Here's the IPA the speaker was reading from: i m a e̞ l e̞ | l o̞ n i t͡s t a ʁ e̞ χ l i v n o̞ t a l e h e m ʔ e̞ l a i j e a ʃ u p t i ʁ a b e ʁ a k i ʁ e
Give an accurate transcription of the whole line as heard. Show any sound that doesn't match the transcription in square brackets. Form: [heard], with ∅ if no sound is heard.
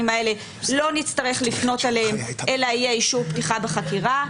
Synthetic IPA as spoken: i m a e̞ l e̞ | l o̞ n i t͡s t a ʁ e̞ χ l i [f] n o̞ t a l e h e m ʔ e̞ l a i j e [i] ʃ u p t i [χ] a b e [χ] a k i ʁ [a]